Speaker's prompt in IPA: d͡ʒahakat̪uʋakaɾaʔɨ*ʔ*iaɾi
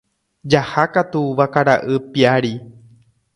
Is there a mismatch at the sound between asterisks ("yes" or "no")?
yes